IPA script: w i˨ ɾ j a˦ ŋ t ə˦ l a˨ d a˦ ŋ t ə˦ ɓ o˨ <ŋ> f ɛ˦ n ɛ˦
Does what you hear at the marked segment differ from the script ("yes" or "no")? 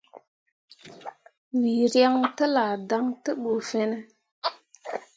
yes